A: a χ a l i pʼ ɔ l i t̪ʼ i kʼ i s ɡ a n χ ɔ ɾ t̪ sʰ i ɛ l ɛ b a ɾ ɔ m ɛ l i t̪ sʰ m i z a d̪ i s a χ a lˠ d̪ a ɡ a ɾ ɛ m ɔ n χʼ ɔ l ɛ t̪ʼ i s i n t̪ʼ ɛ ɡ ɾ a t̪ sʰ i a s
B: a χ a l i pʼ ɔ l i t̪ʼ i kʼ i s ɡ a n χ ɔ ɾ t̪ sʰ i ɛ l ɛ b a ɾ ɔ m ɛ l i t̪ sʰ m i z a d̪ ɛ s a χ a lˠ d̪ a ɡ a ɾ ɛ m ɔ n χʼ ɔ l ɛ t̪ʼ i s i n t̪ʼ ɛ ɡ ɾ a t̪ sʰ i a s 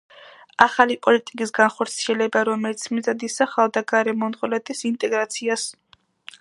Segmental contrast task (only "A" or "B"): A